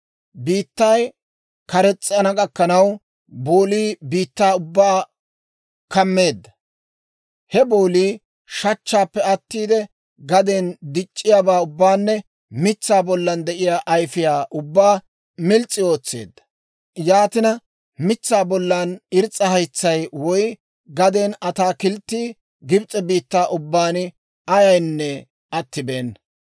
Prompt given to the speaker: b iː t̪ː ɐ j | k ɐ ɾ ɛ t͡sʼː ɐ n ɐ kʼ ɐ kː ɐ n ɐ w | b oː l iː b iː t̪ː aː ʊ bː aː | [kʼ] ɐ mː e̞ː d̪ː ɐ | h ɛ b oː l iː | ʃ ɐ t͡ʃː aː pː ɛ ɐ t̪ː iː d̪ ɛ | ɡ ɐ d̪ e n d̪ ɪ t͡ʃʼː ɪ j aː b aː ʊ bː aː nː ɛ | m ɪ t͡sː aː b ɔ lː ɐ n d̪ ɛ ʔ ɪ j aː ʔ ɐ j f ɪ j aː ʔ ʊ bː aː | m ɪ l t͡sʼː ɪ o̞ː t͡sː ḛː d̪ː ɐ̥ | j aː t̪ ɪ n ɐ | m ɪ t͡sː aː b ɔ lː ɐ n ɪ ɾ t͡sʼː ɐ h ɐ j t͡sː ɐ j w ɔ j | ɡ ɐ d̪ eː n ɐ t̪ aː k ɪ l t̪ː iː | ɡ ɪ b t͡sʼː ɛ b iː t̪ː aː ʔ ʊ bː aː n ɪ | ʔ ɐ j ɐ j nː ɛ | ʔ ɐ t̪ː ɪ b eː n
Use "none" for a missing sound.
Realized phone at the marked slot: k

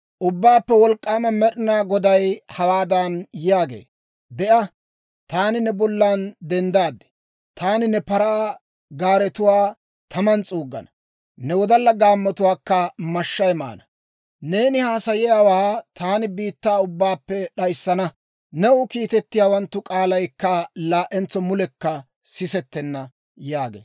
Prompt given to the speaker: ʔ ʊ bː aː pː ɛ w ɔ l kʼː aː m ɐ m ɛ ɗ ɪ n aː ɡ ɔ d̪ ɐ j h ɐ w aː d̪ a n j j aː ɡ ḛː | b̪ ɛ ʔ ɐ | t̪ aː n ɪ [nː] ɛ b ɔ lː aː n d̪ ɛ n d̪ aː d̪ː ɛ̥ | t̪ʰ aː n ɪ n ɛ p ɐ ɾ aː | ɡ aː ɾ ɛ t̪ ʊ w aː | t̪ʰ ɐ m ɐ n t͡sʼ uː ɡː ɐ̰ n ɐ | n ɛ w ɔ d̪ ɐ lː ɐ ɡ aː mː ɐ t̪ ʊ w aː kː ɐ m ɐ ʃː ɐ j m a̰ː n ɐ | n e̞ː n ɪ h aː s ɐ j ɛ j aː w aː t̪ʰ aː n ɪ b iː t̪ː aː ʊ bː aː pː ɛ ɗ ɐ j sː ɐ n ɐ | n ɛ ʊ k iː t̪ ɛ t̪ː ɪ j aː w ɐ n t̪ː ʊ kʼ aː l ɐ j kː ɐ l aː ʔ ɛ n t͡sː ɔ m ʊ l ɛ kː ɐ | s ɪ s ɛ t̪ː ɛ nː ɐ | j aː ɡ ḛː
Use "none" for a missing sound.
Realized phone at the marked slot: n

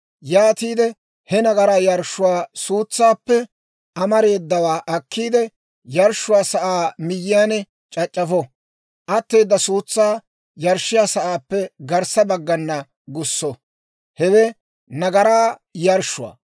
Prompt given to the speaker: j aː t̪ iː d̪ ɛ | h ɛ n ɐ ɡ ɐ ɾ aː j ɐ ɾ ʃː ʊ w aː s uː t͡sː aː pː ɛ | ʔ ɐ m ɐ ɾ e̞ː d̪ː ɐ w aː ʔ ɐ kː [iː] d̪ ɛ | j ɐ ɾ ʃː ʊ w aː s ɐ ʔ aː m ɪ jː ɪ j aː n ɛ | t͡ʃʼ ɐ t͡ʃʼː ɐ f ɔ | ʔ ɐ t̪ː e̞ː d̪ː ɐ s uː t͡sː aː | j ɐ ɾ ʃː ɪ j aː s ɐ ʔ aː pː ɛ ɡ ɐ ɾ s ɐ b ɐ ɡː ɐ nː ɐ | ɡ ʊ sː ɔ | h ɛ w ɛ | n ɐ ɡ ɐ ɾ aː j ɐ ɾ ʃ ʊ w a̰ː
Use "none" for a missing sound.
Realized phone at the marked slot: iː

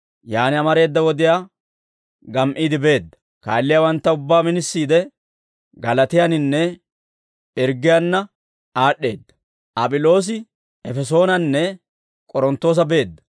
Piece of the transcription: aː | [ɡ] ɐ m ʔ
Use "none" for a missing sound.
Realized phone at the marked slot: ɡ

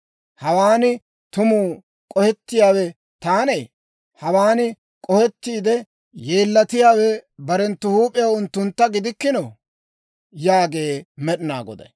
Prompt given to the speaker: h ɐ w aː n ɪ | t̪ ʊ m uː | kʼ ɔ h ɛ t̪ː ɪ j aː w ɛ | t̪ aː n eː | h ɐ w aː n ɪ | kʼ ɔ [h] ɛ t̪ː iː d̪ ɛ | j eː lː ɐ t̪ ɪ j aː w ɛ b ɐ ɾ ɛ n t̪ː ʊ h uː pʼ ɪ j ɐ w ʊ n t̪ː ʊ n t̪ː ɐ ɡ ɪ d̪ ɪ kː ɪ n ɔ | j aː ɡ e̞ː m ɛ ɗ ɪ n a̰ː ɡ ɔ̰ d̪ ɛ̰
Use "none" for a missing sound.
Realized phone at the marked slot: h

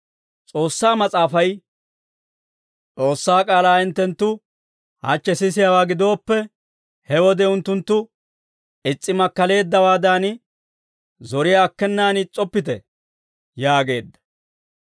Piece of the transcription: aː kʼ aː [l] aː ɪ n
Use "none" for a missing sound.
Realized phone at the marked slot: l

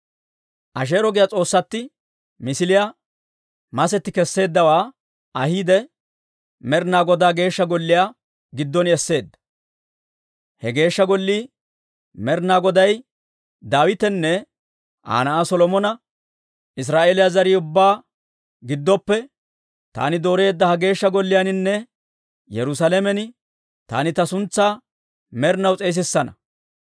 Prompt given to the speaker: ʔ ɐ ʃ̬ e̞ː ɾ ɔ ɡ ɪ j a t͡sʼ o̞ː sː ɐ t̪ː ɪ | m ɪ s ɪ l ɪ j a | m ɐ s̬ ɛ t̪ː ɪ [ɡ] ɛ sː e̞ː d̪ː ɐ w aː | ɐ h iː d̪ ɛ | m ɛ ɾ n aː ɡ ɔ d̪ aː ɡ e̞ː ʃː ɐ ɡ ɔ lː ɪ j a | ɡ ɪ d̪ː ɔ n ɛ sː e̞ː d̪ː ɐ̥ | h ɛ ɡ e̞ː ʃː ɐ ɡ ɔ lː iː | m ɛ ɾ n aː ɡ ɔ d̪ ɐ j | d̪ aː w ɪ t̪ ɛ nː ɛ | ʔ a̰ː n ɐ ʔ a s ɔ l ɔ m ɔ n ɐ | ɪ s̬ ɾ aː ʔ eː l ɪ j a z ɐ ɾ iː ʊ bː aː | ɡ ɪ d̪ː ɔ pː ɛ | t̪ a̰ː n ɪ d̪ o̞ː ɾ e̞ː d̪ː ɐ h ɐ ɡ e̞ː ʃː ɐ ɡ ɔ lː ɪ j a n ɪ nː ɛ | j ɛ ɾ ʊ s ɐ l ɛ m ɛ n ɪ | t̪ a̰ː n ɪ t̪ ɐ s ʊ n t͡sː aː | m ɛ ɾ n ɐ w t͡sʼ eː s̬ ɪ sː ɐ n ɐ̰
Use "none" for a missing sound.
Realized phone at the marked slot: k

